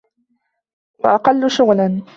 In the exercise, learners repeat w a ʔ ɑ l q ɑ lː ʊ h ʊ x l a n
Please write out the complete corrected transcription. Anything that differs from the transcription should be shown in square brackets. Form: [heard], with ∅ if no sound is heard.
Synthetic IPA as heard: w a ʔ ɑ [∅] q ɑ lː ʊ [ʃ] ʊ [ɣ] l a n